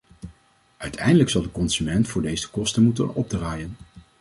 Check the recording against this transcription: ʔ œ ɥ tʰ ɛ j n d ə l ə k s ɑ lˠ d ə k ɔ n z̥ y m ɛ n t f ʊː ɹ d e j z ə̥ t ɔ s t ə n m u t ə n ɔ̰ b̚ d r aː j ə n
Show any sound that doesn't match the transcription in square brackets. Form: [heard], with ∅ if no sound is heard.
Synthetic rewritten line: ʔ œ ɥ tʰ ɛ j n d ə l ə k s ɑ lˠ d ə k ɔ n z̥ y m ɛ n t f ʊː ɹ d e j z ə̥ [k] ɔ s t ə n m u t ə n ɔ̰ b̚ d r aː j ə n